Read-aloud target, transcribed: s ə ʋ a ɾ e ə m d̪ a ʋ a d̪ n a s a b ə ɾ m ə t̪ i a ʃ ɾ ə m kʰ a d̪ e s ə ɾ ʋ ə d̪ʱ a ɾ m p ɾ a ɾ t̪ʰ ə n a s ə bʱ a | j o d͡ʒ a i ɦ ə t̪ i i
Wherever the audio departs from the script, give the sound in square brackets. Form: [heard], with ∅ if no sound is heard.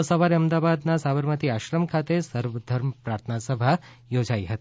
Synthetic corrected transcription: s ə ʋ a ɾ e ə m d̪ a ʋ a d̪ n a s a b ə ɾ m ə t̪ i a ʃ ɾ ə m kʰ a [t̪] e s ə ɾ ʋ ə d̪ʱ [ə] ɾ m p ɾ a ɾ t̪ʰ ə n a s ə bʱ a | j o d͡ʒ a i ɦ ə t̪ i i